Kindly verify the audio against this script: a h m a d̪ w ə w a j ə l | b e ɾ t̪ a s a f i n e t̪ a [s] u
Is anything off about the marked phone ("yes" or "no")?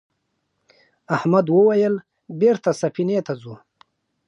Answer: yes